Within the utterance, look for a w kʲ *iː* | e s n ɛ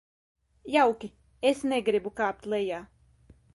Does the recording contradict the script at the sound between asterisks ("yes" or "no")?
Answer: yes